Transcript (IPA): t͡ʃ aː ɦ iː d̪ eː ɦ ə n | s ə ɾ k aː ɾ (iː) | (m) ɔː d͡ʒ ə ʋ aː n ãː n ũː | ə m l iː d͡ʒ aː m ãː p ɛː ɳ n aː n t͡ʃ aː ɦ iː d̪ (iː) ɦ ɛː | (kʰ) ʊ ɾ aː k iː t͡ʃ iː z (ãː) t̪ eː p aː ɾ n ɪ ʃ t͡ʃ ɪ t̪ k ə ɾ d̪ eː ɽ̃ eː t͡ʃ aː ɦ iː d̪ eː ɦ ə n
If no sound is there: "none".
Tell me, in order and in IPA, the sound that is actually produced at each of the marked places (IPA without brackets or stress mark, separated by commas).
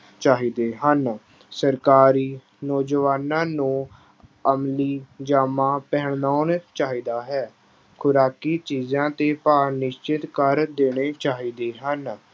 iː, n, aː, kʰ, ãː